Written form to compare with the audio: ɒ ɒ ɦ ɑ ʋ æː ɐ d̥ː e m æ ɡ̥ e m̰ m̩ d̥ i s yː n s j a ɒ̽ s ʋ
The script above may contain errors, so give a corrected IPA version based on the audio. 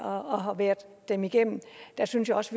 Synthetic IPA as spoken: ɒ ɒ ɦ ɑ ʋ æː ɐ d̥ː e m i ɡ̥ e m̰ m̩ d̥ æ s y n s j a ɒ̽ s ʋ